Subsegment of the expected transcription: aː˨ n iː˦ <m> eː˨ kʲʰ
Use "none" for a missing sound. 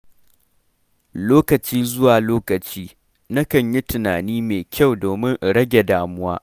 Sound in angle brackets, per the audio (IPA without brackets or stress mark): m